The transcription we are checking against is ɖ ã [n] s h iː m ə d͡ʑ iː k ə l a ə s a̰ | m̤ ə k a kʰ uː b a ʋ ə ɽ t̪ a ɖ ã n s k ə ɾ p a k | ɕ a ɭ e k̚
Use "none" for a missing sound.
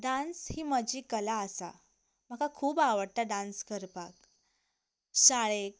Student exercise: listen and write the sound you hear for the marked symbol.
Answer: n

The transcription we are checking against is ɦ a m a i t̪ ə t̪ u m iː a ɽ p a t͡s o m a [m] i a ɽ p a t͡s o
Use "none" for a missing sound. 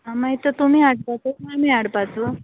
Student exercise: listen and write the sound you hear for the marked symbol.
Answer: m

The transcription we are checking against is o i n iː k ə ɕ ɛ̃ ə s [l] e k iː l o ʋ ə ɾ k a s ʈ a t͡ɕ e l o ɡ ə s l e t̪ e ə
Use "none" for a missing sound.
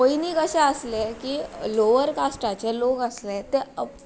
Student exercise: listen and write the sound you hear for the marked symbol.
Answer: l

